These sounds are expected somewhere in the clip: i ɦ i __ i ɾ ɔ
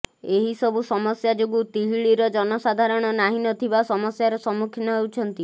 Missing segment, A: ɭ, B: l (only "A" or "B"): A